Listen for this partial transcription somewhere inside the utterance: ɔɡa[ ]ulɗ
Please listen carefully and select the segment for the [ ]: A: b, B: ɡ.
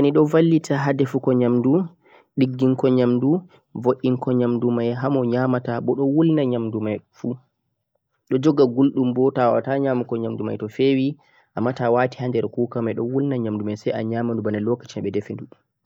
B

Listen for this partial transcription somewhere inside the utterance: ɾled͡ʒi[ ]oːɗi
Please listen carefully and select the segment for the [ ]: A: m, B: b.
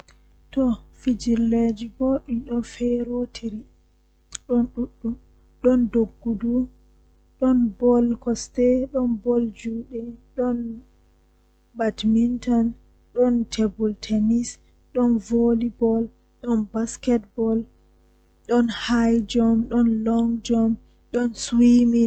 B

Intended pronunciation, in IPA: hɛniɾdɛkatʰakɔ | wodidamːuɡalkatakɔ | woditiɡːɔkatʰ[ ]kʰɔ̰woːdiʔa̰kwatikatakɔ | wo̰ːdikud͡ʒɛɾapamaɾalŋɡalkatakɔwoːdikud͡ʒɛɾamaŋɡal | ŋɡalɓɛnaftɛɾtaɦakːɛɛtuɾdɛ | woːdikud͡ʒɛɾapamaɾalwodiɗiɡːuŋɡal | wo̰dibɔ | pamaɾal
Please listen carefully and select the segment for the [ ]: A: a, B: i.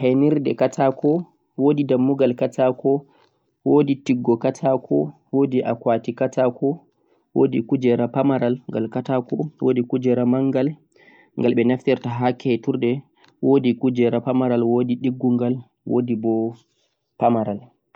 A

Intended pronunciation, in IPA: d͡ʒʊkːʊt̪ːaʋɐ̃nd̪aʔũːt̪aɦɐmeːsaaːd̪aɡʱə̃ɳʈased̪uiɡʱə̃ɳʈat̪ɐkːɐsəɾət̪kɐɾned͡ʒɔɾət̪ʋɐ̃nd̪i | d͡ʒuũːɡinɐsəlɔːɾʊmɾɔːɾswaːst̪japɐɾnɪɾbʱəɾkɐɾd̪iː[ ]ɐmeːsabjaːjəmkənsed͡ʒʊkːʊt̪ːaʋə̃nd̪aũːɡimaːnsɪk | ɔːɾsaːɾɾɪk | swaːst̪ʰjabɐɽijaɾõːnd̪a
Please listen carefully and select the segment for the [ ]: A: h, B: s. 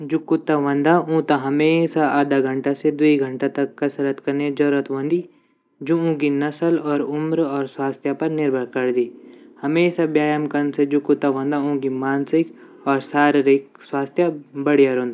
A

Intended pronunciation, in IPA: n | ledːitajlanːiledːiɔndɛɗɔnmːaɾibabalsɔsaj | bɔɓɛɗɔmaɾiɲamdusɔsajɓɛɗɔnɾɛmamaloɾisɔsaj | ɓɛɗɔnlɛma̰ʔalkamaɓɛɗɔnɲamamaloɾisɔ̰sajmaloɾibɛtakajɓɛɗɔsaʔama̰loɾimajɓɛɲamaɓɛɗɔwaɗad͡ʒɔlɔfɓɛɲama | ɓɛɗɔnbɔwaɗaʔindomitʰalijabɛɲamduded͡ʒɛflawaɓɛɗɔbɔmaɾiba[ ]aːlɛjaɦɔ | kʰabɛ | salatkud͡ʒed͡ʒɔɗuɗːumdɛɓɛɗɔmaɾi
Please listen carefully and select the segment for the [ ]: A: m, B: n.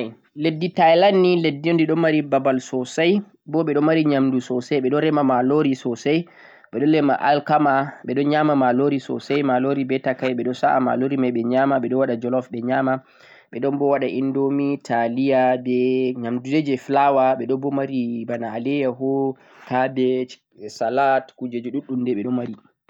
B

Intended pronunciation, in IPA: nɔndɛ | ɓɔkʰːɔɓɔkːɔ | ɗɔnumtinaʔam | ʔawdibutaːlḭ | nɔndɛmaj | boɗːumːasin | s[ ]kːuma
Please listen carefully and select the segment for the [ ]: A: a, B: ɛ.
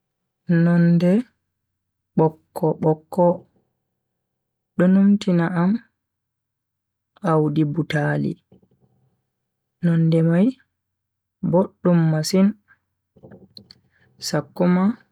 A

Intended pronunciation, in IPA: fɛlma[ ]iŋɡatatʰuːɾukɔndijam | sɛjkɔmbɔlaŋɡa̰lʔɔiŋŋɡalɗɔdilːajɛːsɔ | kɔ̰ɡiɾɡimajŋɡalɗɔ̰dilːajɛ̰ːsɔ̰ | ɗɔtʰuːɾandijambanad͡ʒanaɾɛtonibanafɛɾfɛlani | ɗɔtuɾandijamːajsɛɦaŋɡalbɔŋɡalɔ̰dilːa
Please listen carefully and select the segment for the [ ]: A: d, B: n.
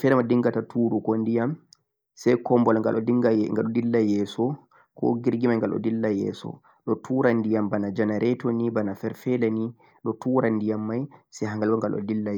A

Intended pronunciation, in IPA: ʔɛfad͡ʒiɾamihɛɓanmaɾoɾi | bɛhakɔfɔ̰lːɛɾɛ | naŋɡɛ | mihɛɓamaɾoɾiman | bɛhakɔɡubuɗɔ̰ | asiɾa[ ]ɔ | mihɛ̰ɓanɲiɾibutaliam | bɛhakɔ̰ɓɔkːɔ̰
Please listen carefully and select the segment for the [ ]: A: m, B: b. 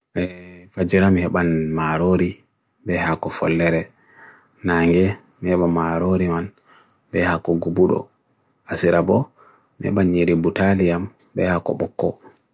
B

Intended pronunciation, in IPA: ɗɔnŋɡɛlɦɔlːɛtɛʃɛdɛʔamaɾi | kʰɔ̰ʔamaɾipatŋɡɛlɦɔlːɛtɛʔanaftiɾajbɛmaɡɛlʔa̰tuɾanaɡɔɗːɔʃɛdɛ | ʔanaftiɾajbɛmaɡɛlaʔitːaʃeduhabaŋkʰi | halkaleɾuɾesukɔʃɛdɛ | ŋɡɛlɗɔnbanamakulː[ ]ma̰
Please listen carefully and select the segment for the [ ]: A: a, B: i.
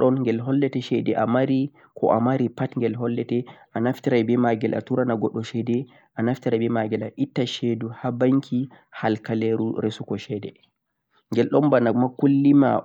B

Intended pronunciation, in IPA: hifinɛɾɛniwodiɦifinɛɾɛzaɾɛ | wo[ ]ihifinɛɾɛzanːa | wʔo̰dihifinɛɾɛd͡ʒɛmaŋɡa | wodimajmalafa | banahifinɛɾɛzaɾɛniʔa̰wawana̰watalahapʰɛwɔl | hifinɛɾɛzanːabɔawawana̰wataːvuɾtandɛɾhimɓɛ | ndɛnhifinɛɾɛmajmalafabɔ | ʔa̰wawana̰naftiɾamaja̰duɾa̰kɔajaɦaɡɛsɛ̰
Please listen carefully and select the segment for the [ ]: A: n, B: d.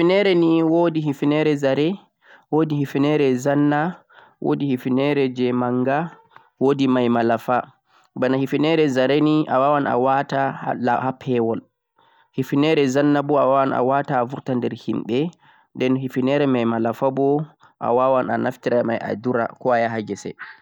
B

